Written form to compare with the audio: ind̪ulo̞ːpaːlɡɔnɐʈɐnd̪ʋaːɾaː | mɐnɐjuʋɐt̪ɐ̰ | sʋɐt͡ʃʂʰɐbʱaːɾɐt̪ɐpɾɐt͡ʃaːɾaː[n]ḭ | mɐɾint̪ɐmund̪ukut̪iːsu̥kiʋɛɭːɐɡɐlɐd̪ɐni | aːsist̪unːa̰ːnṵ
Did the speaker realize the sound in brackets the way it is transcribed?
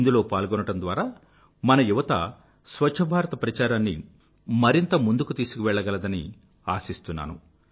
no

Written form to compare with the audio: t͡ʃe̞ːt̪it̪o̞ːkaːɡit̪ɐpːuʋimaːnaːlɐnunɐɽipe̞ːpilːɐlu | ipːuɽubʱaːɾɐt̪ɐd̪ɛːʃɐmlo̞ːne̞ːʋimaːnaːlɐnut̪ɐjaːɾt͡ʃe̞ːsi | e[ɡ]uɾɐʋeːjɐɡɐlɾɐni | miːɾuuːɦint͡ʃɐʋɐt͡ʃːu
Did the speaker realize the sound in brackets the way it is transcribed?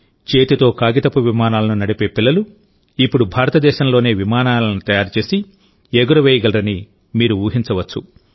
yes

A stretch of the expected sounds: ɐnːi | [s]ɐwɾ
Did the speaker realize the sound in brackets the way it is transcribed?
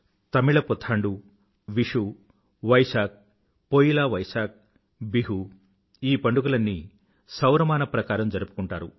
yes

